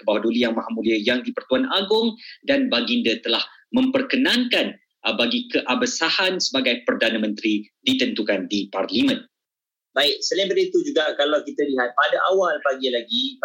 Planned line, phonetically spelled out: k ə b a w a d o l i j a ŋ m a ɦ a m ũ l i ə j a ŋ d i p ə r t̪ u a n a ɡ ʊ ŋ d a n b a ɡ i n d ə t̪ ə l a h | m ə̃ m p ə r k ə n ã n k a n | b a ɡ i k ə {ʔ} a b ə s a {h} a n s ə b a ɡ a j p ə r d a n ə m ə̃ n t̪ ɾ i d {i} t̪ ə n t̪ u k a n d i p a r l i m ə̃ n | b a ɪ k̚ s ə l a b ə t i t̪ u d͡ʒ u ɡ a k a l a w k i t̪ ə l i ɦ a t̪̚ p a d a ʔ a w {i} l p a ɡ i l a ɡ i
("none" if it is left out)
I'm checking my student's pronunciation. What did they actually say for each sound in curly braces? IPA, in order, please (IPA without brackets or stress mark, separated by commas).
ʔ, h, i, a